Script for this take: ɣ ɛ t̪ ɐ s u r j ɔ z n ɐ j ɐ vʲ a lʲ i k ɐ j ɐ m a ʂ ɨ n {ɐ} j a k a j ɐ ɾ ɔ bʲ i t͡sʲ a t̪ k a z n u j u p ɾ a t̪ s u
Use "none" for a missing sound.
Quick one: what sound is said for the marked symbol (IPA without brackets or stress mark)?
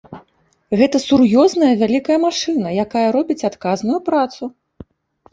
ɐ